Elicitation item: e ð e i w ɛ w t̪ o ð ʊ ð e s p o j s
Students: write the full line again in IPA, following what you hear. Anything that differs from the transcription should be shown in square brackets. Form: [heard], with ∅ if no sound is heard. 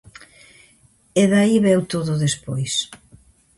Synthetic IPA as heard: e ð [a] i [β] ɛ w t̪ o ð ʊ ð e s p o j s